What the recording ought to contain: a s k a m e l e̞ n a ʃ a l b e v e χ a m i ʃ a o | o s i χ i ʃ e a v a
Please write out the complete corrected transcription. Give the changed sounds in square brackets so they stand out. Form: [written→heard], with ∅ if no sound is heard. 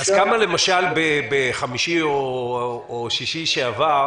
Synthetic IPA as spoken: a [s→z] k a m [e→a] l e̞ [n→m] a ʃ a l b e [v→b] e χ a m i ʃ [a→i] o | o [s→ʃ] i [χ→ʃ] i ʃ e a v a